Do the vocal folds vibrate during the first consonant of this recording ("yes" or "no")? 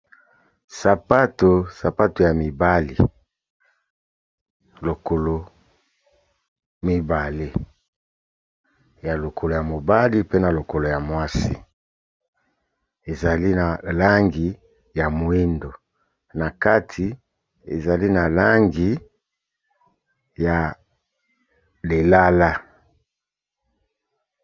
no